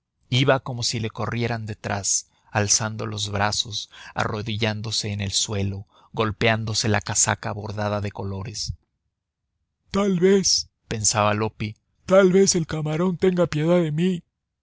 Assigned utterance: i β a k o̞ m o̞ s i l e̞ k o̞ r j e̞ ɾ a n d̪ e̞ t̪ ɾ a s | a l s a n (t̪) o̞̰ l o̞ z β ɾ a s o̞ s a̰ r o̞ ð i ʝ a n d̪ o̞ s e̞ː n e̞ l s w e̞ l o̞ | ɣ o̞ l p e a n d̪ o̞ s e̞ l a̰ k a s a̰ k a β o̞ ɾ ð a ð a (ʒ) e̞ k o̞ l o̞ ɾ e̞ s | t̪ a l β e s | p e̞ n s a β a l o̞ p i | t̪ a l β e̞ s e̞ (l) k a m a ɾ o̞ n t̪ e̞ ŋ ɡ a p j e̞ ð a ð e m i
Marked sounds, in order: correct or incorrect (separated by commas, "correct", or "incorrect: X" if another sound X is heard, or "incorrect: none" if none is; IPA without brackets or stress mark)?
incorrect: d̪, incorrect: ð, correct